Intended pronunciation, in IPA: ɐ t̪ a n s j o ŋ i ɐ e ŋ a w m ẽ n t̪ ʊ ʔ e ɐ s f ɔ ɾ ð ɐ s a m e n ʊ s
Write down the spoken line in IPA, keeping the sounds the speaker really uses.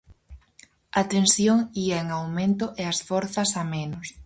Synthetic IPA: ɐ t̪ e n s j o ŋ i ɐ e ŋ a w m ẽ n t̪ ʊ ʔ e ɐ s f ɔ ɾ θ ɐ s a m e n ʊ s